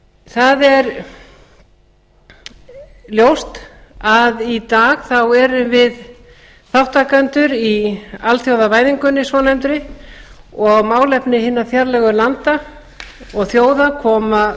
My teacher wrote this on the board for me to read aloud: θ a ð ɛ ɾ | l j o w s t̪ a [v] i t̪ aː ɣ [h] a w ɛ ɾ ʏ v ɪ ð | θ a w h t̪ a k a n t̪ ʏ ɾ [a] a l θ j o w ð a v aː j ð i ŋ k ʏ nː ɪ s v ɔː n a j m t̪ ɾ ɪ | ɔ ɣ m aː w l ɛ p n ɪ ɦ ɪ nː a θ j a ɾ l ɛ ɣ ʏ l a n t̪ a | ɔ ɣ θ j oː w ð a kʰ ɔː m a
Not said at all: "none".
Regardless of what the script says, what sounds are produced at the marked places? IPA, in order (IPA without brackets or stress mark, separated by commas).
ð, θ, i